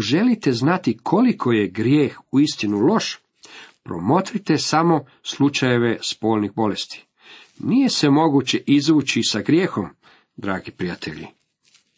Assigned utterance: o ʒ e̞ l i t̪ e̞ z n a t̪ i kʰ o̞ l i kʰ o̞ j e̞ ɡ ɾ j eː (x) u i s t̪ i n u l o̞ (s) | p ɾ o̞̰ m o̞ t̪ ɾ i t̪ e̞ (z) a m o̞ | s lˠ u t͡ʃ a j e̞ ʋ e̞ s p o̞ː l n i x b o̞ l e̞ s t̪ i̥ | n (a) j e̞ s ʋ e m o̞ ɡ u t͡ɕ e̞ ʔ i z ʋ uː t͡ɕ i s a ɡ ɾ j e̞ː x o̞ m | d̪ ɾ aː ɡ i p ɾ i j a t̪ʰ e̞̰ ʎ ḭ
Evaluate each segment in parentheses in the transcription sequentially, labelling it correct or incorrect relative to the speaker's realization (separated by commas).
correct, incorrect, incorrect, incorrect